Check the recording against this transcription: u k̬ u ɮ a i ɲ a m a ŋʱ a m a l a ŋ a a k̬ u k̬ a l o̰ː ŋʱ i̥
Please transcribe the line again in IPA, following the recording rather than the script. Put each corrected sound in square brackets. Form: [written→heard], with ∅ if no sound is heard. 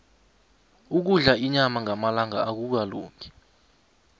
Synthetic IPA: u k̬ u ɮ a i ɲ a m a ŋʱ a m a l a ŋ a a k̬ u k̬ a l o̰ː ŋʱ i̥